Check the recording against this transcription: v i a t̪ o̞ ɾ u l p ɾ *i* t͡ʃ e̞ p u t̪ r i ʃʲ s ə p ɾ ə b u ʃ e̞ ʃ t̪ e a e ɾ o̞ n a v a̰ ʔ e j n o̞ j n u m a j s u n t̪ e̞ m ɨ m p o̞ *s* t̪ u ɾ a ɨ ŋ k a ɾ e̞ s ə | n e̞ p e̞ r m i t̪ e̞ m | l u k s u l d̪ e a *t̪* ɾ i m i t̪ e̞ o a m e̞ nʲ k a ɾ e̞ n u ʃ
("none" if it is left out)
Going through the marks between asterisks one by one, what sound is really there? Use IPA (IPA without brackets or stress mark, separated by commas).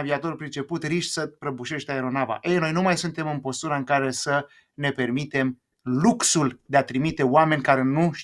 i, s, t̪